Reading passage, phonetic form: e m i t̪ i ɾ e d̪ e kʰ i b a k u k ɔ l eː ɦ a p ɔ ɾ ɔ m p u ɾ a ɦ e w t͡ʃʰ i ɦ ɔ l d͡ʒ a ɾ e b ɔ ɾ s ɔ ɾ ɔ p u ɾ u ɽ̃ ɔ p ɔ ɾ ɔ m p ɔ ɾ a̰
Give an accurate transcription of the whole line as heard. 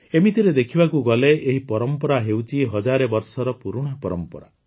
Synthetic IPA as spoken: e m i t̪ i ɾ e d̪ e kʰ i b a k u ɡ ɔ l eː ɦ i p ɔ ɾ ɔ m p ɔ ɾ a ɦ e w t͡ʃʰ i ɦ ɔ d͡ʒ a ɾ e b ɔ ɾ s ɔ ɾ ɔ p u ɾ u ɽ̃ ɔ p ɔ ɾ ɔ m p ɔ ɾ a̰